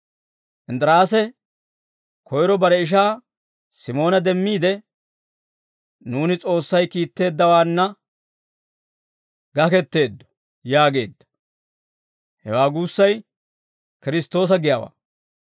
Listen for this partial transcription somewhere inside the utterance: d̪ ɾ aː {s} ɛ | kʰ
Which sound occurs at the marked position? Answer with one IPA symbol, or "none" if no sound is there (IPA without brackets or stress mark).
s